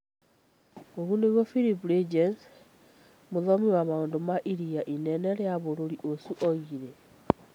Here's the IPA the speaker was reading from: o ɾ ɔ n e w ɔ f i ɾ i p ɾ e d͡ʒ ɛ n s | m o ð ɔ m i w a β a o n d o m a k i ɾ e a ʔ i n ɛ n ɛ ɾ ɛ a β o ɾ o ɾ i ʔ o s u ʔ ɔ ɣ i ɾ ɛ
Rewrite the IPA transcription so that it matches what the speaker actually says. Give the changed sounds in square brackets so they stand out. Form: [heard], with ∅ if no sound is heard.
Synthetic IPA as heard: o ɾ [u] n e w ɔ f i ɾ i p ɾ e d͡ʒ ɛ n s | m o ð ɔ m i w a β a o n d o m a [ʔ] i ɾ [i] a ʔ i n ɛ n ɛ ɾ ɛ a β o ɾ o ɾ i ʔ o s u ʔ ɔ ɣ i ɾ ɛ

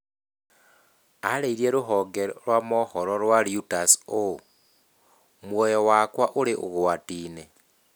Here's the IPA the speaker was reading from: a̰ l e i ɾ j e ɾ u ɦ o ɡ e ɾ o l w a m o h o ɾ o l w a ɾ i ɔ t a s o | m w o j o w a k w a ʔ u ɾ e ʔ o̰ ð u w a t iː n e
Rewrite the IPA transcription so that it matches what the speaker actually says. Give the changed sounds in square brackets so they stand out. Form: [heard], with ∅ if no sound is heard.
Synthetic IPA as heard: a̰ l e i ɾ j e ɾ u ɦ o ɡ e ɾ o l w a m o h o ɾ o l w a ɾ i [u] t a s o | m w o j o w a k w a ʔ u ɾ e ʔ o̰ [ɣ] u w a t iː n e

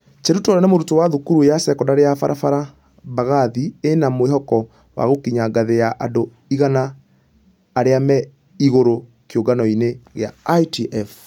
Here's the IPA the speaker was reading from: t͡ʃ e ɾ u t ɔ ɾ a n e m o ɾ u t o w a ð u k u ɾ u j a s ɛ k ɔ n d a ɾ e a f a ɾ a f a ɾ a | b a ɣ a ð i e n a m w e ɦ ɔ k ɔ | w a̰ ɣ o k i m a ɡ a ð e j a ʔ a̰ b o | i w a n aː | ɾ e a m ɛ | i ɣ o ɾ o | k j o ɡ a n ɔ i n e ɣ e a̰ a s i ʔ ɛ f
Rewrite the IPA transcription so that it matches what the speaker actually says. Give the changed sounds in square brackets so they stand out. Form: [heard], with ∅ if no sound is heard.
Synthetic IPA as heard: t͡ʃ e ɾ u t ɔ ɾ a n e m o ɾ u t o w a ð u k u ɾ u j a s ɛ k ɔ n d a ɾ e a f a ɾ a f a ɾ a | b a ɣ a ð i e n a m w e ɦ ɔ k ɔ | w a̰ ɣ o k i [ɲ] a ɡ a ð e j a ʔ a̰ [d] o | i [ɣ] a n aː | ɾ e a m ɛ | i ɣ o ɾ o | k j o ɡ a n ɔ i n e ɣ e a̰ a [t] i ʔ ɛ f

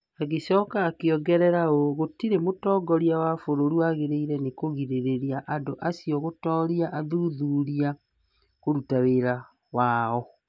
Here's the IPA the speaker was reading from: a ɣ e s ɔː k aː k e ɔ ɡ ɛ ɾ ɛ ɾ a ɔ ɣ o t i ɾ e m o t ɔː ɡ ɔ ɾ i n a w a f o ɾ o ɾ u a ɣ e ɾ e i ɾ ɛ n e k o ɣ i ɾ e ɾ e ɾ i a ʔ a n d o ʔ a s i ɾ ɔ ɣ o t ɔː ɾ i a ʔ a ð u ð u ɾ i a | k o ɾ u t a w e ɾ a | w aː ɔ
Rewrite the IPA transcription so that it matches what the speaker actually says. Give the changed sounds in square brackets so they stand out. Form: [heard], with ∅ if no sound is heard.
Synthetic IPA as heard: a ɣ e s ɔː k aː k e ɔ ɡ ɛ ɾ ɛ ɾ a [o] ɣ o t i ɾ e m o t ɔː ɡ ɔ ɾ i [∅] a w a f o ɾ o ɾ u a ɣ e ɾ e i ɾ ɛ n e k o ɣ i ɾ e ɾ e ɾ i a ʔ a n d o ʔ a s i [∅] ɔ ɣ o t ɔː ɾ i a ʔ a ð u ð u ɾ i a | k o ɾ u t a w e ɾ a | w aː ɔ

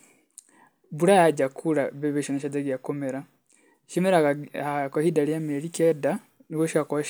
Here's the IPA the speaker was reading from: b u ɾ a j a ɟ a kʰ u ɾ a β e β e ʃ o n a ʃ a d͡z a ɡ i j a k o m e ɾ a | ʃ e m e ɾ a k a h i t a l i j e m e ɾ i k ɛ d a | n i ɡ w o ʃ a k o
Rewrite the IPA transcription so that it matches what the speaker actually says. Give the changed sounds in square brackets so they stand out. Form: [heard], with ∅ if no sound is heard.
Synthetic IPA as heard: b u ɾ a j a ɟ a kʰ u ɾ a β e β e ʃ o n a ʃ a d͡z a ɡ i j a k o m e ɾ a | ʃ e m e ɾ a k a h i [d] a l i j [a] m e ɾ i k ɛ d a | n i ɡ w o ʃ a k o

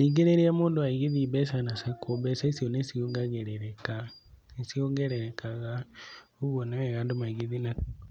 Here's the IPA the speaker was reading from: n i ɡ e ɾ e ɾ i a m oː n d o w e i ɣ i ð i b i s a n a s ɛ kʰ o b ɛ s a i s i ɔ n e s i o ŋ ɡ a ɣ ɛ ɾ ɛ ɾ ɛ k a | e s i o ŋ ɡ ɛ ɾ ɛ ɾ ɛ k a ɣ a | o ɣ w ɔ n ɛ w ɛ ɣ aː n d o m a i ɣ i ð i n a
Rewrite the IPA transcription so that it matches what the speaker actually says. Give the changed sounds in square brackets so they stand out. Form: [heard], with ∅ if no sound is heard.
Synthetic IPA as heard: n i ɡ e ɾ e ɾ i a m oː n d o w [a] i ɣ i ð i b [ɛ] s a n a s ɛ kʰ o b ɛ s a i s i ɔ n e s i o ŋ ɡ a ɣ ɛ ɾ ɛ ɾ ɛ k a | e s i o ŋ ɡ ɛ ɾ ɛ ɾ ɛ k a ɣ a | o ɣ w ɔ n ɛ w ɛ ɣ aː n d o m a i ɣ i ð i n a

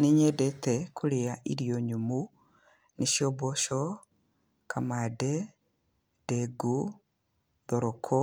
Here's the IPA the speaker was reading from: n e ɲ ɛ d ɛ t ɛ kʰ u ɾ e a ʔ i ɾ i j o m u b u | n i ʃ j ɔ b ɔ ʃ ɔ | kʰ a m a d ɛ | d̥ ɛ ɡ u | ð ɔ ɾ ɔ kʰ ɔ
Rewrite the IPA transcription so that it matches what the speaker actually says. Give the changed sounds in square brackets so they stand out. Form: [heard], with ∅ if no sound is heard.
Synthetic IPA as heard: n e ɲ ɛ d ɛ t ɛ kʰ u ɾ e a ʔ i ɾ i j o [ɲ] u [m] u | n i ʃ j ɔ b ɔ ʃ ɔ | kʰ a m a d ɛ | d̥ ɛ ɡ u | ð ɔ ɾ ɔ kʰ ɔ

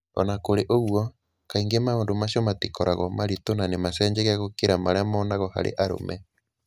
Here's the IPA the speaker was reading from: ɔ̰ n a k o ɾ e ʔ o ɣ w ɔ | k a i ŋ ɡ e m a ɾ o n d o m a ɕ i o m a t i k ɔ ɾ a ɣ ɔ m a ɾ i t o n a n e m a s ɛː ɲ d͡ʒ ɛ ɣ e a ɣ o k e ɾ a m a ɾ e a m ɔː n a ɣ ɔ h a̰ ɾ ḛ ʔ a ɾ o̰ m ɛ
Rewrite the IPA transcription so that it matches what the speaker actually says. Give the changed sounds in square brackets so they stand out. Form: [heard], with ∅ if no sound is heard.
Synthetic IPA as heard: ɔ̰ n a k o ɾ e ʔ o ɣ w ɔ | k a i ŋ ɡ e m a [∅] o n d o m a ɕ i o m a t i k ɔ ɾ a ɣ ɔ m a ɾ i t o n a n e m a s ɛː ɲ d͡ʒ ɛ ɣ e a ɣ o k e ɾ a m a ɾ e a m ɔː n a ɣ ɔ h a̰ ɾ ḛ ʔ a ɾ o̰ m ɛ

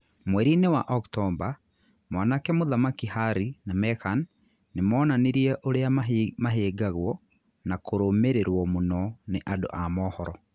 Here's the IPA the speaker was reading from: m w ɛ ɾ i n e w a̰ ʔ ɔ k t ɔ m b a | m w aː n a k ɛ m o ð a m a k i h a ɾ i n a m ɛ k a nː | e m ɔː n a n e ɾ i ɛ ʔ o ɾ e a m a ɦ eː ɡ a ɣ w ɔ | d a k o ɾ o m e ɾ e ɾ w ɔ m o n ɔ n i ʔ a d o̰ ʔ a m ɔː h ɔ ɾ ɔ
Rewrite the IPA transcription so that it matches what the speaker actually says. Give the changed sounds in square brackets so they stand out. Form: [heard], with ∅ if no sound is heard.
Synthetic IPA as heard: m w ɛ ɾ i n e w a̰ ʔ ɔ k t ɔ m b a | m w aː n a k ɛ m o ð a m a k i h a ɾ i n a m ɛ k a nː | e m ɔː n a n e ɾ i ɛ ʔ o ɾ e a m a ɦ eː ɡ a ɣ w ɔ | [n] a k o ɾ o m e ɾ e ɾ w ɔ m o n ɔ n [e] ʔ a d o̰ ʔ a m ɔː h ɔ ɾ ɔ

